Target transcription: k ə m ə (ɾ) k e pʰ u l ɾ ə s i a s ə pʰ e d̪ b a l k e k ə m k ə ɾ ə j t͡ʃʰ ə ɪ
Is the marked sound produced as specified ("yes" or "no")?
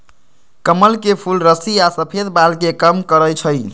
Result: no